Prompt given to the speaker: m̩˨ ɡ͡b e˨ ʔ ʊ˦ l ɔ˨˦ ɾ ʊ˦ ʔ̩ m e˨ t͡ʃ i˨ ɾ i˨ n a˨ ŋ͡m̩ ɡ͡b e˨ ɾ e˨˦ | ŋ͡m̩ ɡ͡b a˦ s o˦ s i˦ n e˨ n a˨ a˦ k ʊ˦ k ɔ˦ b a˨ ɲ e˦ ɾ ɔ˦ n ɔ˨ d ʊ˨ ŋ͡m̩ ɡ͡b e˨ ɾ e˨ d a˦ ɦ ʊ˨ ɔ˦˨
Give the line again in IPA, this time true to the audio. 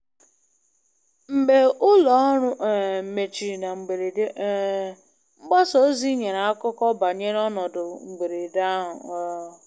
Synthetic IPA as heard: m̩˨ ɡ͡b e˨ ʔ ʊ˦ l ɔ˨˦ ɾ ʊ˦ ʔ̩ m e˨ t͡ʃ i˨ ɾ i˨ n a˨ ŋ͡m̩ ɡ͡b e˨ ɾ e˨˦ | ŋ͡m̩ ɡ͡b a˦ s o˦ z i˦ ɲ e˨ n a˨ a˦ k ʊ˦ k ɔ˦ b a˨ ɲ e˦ ɾ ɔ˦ n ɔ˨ d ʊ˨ ŋ͡m̩ ɡ͡b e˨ ɾ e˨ d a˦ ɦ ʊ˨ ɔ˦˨